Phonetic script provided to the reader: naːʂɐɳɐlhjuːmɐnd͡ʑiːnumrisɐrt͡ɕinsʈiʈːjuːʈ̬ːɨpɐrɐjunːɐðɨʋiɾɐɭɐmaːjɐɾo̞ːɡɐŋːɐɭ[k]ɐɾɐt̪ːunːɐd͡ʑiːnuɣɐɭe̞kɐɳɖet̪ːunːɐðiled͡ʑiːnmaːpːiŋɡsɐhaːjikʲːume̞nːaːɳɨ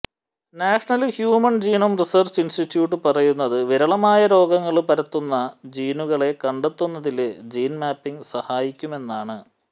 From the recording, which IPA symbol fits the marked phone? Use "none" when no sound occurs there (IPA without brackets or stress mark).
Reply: p